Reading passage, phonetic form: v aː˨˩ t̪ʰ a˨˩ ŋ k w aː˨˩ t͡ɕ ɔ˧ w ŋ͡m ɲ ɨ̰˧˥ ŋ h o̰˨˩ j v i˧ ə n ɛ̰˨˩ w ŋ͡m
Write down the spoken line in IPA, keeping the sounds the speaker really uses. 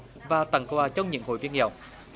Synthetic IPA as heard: v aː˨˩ t̪ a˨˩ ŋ k w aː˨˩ t͡ɕ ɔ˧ w ŋ͡m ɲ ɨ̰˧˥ ŋ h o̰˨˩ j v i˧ ə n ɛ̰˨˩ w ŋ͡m